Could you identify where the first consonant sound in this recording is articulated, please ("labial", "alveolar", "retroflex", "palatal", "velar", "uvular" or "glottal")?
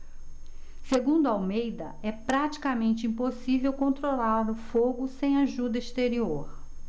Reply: alveolar